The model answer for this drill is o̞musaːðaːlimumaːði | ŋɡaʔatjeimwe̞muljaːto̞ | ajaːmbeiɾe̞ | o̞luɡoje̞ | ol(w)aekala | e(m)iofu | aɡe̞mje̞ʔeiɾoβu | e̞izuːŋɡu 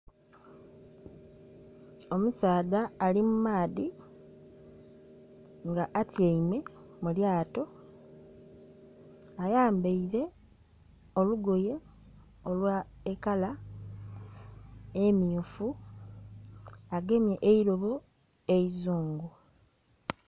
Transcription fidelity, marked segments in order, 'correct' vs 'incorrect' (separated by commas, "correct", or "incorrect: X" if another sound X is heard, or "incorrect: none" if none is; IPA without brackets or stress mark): correct, correct